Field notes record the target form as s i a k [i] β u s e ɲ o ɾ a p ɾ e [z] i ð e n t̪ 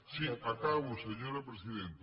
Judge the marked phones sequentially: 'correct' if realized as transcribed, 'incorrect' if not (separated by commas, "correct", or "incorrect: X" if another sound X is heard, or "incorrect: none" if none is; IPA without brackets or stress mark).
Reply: incorrect: a, incorrect: s